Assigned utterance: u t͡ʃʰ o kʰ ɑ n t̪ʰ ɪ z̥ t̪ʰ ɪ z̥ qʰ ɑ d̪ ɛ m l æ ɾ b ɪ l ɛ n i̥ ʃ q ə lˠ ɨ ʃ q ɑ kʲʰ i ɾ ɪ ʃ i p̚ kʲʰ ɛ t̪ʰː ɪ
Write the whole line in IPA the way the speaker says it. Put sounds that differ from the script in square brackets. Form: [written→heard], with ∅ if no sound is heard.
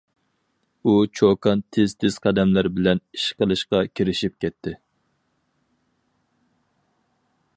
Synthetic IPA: u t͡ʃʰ o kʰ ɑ n t̪ʰ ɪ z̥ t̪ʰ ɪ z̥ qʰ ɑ d̪ ɛ m l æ ɾ b ɪ l ɛ n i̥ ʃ q ə lˠ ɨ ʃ q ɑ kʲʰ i ɾ ɪ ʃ i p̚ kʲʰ ɛ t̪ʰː ɪ